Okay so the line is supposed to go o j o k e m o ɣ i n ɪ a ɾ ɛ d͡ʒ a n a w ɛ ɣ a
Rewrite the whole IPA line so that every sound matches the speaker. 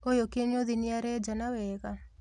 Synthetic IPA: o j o k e ɲ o ð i n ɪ a ɾ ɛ d͡ʒ a n a w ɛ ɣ a